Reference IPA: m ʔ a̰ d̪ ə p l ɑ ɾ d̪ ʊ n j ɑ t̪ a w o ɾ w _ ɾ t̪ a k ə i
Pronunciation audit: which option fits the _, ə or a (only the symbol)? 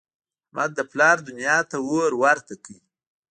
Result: a